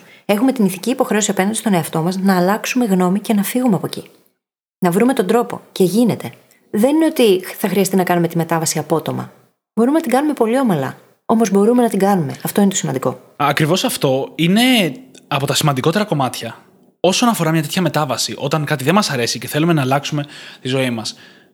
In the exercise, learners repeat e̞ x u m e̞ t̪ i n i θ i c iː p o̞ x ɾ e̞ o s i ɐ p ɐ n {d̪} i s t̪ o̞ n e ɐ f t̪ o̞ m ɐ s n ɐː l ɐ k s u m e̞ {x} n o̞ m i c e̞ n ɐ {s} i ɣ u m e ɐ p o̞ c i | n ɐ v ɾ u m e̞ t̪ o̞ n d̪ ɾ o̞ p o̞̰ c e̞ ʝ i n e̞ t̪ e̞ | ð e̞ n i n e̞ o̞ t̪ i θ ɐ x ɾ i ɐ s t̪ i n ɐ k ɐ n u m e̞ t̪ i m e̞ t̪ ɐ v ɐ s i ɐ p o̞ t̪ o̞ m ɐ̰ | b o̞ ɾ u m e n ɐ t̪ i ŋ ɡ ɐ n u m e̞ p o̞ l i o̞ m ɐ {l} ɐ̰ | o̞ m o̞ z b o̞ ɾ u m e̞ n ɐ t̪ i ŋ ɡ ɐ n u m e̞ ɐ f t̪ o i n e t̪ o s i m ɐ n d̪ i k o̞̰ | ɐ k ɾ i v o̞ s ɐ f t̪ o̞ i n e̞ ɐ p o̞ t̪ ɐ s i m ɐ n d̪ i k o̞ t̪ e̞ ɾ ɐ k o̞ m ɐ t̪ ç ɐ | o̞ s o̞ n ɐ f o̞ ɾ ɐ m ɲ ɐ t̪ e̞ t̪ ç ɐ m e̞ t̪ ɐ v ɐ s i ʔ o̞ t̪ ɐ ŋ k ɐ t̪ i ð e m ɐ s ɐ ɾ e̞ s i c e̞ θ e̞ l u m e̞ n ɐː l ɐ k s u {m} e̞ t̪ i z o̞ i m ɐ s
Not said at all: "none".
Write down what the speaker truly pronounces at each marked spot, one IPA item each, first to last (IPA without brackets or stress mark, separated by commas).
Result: d̪, ɣ, f, l, m